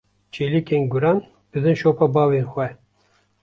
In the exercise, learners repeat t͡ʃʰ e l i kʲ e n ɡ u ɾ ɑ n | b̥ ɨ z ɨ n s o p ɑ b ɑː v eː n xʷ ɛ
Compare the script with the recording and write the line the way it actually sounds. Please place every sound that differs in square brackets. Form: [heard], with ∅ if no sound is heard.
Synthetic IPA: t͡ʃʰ e l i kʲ e n ɡ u ɾ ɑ n | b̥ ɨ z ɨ n [ʃ] o p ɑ b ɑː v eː n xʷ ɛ